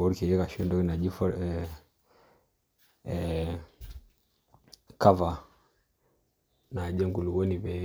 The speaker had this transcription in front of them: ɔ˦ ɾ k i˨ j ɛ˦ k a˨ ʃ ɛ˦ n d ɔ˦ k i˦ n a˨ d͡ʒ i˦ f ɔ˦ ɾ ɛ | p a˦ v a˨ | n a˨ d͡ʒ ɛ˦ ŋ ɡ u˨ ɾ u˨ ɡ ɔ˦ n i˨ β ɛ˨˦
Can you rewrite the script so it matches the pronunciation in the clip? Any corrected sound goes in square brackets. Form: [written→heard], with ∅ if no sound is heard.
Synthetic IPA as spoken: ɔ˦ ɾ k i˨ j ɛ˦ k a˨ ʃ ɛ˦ n d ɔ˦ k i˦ n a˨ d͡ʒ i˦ f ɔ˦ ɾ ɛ | [p→k] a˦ v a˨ | n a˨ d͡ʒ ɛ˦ ŋ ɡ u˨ [ɾ→l] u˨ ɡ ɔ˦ n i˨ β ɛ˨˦